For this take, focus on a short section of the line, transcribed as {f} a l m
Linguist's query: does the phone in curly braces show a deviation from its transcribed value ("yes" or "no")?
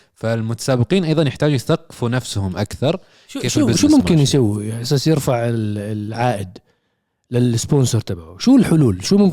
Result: no